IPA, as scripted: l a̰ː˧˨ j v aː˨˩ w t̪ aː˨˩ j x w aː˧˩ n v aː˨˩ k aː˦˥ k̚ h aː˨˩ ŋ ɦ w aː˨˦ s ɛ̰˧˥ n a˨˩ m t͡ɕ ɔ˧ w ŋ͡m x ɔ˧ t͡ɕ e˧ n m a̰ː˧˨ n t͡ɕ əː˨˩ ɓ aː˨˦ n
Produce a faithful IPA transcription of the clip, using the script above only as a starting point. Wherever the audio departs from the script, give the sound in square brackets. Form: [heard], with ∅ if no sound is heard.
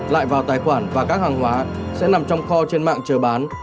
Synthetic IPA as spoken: l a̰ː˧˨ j v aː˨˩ w t̪ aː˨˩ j x w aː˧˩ n v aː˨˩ k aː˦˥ k̚ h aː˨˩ ŋ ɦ w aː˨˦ s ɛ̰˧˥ n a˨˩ m t͡ɕ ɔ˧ w ŋ͡m x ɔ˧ t͡ɕ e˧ n m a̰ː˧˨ [ŋ] t͡ɕ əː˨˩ ɓ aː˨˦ n